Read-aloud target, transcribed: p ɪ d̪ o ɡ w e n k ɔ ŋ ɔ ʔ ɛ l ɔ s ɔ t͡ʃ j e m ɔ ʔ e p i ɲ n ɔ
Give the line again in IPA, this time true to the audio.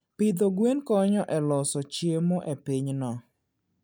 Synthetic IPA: p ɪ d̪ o ɡ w e n k ɔ ɲ ɔ ʔ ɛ l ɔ s ɔ t͡ʃ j e m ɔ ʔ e p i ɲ n ɔ